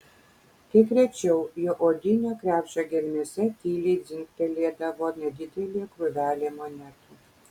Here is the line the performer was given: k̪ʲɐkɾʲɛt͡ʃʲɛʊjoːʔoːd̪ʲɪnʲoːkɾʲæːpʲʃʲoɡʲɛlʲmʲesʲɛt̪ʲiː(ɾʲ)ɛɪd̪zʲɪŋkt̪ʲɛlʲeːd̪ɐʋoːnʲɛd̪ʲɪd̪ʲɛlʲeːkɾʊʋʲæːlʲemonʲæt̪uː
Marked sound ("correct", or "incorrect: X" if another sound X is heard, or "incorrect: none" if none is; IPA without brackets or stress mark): incorrect: lʲ